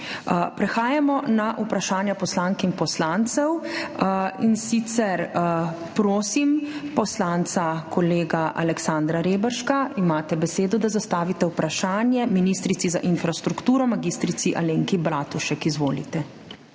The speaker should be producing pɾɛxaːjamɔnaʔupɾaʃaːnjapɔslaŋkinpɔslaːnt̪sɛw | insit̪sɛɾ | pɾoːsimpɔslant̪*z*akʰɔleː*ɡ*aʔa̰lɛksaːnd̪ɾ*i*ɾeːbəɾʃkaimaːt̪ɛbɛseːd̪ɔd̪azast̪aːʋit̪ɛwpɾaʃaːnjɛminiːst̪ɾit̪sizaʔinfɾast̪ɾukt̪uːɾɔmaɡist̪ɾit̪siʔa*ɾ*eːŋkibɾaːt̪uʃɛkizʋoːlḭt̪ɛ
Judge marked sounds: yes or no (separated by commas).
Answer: no, yes, no, no